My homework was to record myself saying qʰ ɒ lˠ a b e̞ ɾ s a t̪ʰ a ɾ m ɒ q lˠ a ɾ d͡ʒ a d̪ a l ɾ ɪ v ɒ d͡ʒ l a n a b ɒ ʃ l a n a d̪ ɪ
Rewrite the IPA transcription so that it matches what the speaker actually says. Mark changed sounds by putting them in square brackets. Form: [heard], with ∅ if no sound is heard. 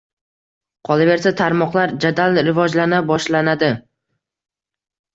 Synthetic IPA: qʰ ɒ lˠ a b e̞ ɾ s a t̪ʰ a ɾ m ɒ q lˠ a ɾ d͡ʒ a d̪ a l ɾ ɪ v ɒ d͡ʒ l a n a b ɒ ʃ l a n a d̪ ɪ